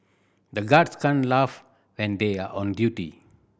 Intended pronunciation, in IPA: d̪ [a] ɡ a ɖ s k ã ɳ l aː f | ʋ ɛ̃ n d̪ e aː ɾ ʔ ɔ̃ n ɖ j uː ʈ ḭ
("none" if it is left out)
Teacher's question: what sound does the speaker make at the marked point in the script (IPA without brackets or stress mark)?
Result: ə